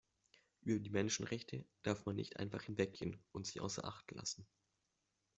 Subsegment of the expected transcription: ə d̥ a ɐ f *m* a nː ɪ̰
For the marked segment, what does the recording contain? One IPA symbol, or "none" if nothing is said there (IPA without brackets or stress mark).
m